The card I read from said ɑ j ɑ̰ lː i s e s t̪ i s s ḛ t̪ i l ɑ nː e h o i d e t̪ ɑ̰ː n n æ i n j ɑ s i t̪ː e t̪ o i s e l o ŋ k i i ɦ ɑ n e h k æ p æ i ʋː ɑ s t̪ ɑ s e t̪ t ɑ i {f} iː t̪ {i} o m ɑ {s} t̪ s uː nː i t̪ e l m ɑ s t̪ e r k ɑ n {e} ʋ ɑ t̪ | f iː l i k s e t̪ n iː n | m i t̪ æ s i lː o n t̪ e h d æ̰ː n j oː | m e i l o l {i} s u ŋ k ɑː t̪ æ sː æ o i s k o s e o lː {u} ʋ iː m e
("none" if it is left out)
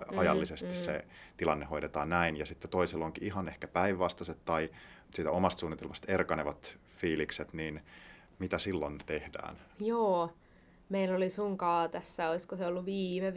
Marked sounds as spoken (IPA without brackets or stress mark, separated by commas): s, æ, s, e, i, u